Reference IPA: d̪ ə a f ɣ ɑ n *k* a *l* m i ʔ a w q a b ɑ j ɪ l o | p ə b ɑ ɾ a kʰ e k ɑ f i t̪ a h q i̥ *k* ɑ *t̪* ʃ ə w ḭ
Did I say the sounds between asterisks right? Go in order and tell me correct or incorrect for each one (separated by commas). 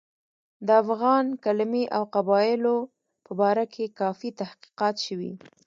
correct, correct, incorrect, correct